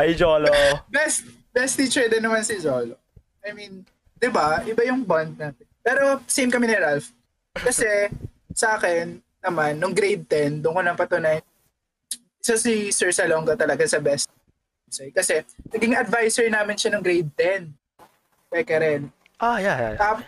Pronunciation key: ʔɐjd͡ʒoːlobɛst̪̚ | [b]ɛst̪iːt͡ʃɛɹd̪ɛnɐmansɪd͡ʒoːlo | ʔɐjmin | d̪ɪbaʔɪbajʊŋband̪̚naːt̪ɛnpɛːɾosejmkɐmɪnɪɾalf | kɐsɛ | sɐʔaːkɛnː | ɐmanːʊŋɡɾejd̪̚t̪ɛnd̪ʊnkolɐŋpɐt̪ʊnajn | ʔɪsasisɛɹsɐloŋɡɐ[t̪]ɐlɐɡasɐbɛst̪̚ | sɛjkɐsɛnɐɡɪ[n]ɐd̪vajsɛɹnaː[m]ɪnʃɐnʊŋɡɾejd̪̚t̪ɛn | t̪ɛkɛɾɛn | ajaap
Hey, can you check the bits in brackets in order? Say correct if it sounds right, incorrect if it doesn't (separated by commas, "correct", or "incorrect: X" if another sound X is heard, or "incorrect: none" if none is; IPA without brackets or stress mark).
correct, correct, incorrect: ŋ, correct